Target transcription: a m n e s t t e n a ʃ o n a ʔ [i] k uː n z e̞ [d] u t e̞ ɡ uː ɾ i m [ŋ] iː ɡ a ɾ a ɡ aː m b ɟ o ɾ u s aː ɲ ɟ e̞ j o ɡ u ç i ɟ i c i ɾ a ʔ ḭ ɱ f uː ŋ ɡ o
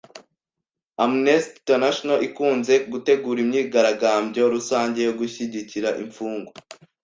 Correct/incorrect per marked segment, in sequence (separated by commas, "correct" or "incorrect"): correct, incorrect, incorrect